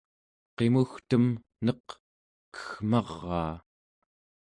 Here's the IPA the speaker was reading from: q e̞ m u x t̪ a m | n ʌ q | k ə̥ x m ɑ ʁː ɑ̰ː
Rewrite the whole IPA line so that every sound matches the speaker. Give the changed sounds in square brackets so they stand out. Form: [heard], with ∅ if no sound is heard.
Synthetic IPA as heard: q e̞ m u x t̪ [ə] m | n ʌ q | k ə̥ x m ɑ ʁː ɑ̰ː